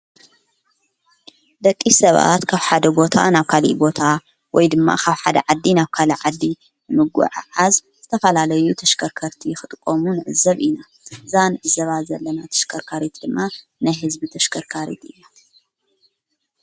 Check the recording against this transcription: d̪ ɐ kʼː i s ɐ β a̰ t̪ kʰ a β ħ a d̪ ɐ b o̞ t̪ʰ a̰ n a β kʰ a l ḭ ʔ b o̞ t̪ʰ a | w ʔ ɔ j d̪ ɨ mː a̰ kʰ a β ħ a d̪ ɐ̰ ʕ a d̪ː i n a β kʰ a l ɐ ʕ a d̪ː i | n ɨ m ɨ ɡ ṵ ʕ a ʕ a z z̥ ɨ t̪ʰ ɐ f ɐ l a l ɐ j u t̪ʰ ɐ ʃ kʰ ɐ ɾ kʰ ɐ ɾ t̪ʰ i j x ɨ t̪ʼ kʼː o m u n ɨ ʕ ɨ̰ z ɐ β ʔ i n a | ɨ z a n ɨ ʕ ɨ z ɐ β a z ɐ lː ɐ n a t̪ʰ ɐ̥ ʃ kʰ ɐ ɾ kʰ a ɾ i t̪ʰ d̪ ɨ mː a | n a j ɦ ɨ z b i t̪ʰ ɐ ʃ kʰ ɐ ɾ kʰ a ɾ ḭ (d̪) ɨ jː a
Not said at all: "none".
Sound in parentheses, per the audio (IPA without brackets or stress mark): t̪